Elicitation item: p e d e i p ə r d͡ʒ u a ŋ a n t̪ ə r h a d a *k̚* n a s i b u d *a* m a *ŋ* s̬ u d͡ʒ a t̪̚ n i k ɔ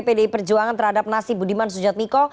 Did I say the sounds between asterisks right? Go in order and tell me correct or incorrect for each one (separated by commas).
incorrect, incorrect, incorrect